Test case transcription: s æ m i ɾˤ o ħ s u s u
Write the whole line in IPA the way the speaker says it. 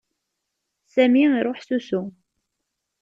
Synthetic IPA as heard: s æ m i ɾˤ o ħ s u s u